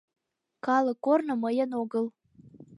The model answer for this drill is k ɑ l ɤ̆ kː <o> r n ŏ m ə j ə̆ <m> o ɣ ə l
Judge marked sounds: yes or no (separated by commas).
yes, no